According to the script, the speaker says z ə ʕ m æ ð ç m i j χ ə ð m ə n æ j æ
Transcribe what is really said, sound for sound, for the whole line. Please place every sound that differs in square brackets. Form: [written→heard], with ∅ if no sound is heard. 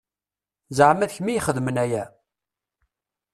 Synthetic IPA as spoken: z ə ʕ m æ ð ç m i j χ ə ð m ə n æ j æ